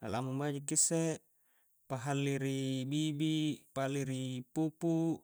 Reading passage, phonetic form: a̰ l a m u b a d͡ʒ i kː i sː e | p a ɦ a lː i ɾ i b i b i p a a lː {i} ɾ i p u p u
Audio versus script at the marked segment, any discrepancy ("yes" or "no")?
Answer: no